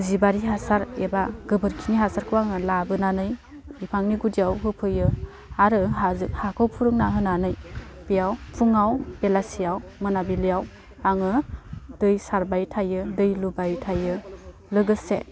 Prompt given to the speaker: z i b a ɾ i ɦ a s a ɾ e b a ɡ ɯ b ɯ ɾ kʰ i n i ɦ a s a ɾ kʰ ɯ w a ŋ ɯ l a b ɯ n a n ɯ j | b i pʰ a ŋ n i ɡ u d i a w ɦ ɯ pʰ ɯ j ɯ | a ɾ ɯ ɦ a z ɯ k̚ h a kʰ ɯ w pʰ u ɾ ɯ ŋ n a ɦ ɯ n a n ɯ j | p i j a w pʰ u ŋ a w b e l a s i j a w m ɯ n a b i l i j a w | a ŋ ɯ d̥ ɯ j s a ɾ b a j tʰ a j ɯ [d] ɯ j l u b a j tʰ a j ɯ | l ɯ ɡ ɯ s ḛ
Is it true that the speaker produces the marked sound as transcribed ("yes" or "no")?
yes